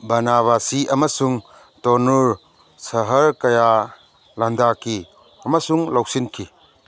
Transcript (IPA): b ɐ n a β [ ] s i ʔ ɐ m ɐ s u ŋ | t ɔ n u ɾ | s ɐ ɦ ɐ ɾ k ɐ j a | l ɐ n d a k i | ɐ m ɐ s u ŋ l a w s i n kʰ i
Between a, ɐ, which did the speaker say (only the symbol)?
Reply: a